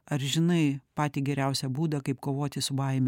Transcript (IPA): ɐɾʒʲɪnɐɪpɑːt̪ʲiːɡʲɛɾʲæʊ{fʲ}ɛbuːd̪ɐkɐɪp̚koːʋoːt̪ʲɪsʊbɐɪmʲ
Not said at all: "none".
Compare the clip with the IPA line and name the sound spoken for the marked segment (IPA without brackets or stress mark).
sʲ